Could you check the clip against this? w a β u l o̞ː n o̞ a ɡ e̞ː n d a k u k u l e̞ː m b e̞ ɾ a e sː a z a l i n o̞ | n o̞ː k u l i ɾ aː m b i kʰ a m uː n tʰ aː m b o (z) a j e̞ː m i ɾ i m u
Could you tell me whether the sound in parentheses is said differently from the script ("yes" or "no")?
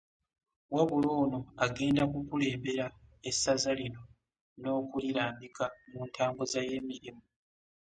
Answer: no